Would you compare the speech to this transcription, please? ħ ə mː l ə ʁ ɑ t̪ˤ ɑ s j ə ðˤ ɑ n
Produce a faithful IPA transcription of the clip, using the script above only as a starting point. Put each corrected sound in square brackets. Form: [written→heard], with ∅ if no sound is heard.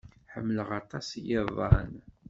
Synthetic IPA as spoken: ħ ə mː l ə ʁ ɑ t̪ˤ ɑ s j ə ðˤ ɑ n